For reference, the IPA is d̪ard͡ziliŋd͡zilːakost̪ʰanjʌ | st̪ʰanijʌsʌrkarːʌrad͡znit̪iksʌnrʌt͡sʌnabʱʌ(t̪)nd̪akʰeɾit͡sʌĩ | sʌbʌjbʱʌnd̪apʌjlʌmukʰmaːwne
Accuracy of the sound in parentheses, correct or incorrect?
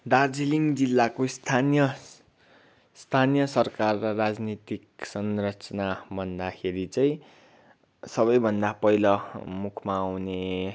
incorrect